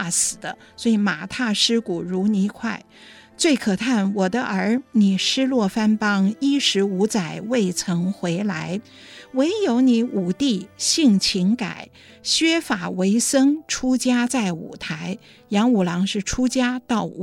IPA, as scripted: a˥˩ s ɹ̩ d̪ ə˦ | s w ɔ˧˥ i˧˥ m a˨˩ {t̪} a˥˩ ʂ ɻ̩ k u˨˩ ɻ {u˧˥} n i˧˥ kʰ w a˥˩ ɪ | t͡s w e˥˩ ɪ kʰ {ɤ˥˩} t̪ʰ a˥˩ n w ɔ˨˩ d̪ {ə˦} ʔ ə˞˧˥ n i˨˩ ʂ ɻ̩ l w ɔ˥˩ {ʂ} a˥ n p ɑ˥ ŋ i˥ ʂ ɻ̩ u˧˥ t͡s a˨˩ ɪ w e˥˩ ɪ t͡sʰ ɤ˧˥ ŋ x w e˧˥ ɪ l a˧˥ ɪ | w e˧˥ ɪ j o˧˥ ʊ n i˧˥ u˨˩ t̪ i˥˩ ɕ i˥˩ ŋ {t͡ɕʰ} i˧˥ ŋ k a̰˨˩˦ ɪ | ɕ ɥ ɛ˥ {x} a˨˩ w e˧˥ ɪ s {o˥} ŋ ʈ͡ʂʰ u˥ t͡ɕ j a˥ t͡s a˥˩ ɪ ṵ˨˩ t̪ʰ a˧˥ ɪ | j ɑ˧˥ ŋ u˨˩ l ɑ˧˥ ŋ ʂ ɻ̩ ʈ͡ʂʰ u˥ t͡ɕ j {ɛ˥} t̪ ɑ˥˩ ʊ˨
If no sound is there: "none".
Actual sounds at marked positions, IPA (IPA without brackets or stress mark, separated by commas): t̪ʰ, u˧˥, ɤ˨˩, ə˦, f, t͡ɕʰ, f, ɤ˥, a˥